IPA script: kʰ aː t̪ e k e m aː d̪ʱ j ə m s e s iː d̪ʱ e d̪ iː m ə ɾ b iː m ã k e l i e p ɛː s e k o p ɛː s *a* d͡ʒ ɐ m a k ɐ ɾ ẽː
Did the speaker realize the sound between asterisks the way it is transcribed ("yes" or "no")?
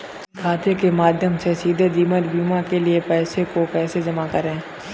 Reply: no